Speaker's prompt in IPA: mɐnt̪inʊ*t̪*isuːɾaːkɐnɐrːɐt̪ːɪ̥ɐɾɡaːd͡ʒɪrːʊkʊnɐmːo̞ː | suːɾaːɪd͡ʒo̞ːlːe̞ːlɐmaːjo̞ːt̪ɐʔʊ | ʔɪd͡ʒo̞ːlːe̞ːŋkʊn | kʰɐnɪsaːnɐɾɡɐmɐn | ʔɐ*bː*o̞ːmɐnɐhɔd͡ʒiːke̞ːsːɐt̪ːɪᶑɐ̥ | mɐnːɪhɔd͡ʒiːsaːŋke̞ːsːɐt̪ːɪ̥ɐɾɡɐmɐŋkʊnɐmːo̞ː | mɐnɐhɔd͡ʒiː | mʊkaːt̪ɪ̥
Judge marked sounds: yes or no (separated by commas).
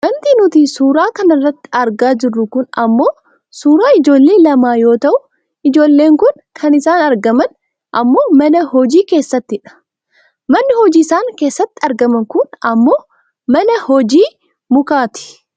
yes, no